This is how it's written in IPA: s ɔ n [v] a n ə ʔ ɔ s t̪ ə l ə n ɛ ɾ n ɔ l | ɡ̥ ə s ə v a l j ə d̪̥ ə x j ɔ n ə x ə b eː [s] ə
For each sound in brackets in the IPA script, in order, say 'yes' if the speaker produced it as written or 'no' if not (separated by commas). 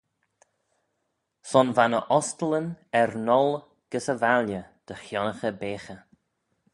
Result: yes, no